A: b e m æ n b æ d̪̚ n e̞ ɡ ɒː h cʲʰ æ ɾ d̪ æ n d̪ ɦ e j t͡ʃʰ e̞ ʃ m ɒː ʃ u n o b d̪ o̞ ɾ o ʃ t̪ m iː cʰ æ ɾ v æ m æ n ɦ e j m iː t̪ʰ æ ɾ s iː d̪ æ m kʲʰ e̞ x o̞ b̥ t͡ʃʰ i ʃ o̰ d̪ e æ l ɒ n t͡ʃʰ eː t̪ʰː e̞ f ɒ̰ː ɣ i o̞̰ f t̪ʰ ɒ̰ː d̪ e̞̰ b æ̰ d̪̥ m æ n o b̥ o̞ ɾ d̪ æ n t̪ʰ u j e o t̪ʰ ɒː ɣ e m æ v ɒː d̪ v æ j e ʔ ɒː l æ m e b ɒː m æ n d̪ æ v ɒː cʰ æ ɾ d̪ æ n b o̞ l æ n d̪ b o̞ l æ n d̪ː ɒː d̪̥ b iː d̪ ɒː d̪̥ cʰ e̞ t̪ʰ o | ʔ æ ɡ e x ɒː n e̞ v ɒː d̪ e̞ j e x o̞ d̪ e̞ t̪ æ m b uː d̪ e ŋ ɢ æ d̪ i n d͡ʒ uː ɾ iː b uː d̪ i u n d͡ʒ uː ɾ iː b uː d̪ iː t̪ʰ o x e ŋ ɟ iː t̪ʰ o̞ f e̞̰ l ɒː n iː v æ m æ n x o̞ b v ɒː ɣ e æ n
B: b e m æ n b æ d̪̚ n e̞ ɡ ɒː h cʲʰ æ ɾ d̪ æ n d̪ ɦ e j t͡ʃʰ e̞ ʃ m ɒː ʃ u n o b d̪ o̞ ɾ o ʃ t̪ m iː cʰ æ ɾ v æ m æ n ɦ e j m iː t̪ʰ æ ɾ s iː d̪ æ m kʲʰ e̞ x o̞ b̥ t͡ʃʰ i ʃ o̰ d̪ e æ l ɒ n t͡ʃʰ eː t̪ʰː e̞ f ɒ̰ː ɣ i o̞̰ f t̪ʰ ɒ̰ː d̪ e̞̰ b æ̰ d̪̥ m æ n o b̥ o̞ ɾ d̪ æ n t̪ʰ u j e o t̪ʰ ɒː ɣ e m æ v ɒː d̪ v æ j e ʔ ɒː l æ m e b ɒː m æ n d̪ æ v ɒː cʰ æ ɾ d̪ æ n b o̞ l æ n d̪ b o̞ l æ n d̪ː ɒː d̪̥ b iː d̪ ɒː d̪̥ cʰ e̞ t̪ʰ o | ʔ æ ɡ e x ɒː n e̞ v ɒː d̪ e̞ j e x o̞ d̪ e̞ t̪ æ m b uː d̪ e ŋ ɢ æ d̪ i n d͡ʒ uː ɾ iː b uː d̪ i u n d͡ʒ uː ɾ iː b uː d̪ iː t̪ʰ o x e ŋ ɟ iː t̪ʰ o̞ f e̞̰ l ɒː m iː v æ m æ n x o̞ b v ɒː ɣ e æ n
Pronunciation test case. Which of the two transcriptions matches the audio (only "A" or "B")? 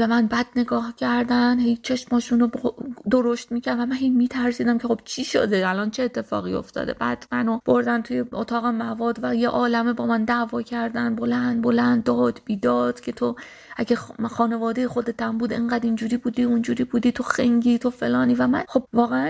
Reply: A